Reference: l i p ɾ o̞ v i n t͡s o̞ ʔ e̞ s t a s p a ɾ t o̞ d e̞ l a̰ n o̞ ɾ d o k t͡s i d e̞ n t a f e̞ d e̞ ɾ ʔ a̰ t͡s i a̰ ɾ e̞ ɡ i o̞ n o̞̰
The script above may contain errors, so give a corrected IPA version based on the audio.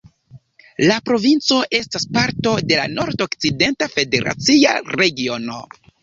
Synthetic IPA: l a p ɾ o̞ v i n t͡s o̞ ʔ e̞ s t a s p a ɾ t o̞ d e̞ l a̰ n o̞ ɾ d o k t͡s i d e̞ n t a f e̞ d e̞ ɾ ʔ a̰ t͡s i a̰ ɾ e̞ ɡ i o̞ n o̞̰